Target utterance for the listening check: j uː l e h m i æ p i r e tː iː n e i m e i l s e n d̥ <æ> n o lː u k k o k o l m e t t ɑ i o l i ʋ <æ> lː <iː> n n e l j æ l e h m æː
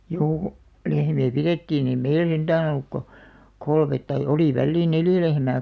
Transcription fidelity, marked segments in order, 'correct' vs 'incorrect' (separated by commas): incorrect, correct, correct